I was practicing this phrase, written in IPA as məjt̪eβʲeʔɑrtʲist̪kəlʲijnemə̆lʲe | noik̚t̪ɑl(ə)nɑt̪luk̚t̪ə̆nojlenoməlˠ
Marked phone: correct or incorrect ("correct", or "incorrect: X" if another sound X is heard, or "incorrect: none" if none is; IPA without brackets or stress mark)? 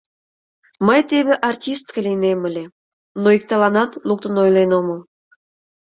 incorrect: ɑ